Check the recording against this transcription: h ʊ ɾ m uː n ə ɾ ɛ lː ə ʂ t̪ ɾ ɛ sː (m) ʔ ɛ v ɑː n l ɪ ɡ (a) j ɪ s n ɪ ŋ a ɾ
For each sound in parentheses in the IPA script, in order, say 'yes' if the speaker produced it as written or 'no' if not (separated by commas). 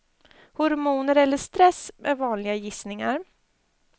yes, yes